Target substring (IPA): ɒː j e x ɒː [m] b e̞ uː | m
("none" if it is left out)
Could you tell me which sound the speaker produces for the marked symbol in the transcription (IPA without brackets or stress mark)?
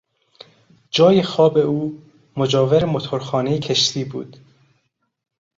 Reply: none